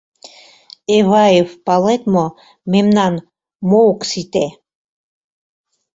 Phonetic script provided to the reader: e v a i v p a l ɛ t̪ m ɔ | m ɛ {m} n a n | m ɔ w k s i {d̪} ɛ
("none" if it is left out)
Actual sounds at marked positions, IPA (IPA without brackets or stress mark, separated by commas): m, t̪